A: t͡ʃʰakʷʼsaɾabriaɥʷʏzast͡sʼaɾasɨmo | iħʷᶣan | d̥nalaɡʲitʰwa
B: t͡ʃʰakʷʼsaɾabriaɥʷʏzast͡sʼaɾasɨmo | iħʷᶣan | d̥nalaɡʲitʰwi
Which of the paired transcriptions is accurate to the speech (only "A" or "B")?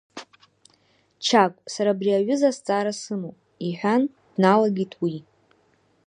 B